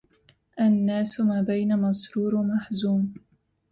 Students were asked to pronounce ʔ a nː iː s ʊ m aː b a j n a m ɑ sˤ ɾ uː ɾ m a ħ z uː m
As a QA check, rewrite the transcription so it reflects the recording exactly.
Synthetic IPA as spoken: ʔ a nː aː s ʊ m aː b a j n a m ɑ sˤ ɾ uː ɾ m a ħ z uː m